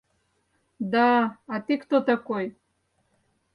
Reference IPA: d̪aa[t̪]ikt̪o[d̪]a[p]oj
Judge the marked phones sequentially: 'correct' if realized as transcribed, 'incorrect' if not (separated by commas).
correct, incorrect, incorrect